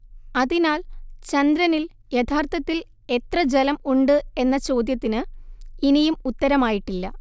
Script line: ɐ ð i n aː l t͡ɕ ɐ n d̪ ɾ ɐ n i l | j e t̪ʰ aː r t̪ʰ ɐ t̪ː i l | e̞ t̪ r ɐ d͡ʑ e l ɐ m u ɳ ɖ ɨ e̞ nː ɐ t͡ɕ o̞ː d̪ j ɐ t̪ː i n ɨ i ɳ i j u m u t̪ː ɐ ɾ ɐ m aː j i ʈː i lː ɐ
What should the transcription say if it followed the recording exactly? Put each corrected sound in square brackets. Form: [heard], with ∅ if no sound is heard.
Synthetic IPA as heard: ɐ ð i n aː l t͡ɕ ɐ n d̪ ɾ ɐ n i l | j e t̪ʰ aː r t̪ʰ ɐ t̪ː i l | e̞ t̪ r ɐ d͡ʑ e l ɐ m u ɳ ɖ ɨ e̞ nː ɐ t͡ɕ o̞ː d̪ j ɐ t̪ː i n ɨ i [n] i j u m u t̪ː ɐ ɾ ɐ m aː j i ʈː i lː ɐ